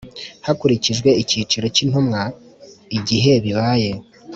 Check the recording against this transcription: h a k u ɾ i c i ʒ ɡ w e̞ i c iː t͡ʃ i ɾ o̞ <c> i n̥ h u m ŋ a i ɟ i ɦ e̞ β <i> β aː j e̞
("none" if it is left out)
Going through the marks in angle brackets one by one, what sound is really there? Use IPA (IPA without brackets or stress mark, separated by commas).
c, i